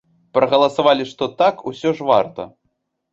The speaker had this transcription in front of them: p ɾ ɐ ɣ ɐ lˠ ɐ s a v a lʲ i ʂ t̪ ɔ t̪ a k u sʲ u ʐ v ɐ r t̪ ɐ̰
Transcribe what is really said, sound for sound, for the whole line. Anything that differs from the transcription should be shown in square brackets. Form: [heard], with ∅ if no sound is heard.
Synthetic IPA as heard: p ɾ ɐ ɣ ɐ lˠ ɐ s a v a lʲ i ʂ t̪ ɔ t̪ a k u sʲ [ɔ] ʐ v [a] r t̪ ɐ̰